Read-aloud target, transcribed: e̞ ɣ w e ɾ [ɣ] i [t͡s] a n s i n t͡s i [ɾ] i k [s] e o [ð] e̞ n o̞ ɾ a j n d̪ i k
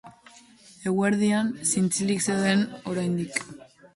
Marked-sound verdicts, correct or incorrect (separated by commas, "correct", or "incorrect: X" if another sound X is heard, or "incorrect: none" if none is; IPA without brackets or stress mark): incorrect: ð, incorrect: none, incorrect: l, correct, correct